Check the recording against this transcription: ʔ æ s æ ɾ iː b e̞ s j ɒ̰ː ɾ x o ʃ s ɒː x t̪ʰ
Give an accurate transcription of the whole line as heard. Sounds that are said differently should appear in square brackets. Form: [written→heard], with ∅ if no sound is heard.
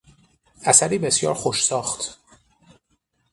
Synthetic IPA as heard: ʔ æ s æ ɾ iː b e̞ s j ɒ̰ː ɾ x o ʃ s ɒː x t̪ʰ